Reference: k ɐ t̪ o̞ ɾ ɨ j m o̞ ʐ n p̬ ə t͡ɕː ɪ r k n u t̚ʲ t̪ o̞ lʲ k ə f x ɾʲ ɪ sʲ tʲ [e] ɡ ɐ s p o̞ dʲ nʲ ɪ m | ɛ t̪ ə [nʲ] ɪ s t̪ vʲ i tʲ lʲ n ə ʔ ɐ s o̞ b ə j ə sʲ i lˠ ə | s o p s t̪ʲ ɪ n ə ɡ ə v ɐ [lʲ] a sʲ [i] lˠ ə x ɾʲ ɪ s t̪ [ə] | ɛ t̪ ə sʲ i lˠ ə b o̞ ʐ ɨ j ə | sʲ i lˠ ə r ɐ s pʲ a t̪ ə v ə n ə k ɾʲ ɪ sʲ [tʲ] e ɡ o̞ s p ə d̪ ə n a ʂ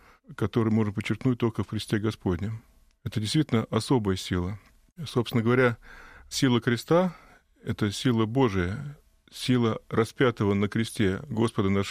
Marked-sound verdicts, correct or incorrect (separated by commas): correct, incorrect, incorrect, correct, incorrect, correct